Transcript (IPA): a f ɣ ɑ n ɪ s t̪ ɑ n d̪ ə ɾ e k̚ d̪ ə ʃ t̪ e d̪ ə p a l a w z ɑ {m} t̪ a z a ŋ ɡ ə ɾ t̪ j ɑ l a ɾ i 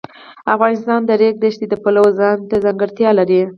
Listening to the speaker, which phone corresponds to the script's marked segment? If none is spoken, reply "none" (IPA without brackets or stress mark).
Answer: n